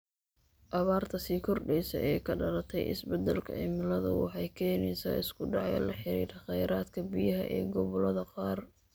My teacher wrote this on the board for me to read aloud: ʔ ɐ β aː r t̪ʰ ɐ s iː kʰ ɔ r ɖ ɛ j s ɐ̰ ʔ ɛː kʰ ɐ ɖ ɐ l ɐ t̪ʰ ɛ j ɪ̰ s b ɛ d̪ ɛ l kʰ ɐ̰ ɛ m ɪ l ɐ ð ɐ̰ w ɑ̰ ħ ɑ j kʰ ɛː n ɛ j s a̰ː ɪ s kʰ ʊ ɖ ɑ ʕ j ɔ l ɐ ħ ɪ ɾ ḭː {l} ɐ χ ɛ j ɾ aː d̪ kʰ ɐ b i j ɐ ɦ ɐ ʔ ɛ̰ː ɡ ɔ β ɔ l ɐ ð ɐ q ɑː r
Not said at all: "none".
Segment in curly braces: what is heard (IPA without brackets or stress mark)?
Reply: ɾ